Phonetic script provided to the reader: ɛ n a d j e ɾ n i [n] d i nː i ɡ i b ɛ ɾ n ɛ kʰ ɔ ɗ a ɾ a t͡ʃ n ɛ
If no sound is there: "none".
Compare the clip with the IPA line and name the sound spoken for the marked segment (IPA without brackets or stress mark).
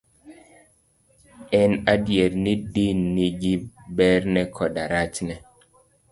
none